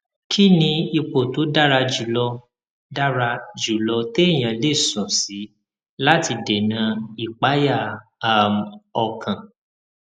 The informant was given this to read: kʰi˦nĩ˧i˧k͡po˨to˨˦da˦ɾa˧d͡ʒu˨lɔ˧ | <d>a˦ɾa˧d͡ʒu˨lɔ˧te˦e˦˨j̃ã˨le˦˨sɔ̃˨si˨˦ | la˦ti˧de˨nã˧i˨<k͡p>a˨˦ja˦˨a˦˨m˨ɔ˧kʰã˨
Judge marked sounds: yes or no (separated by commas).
yes, yes